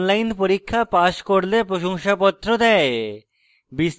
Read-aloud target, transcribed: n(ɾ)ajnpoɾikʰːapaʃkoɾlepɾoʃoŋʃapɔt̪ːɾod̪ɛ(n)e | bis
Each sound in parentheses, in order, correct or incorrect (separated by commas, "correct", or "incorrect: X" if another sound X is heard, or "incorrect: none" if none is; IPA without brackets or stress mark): incorrect: l, incorrect: none